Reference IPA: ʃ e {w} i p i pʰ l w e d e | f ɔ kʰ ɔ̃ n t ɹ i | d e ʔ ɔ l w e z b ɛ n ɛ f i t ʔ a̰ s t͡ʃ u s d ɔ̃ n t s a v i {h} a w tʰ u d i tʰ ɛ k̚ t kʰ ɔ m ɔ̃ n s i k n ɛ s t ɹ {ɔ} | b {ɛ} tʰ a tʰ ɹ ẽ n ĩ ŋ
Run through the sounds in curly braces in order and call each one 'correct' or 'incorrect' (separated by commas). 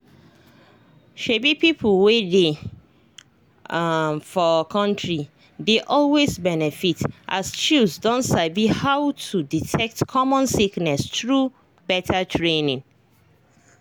incorrect, correct, incorrect, correct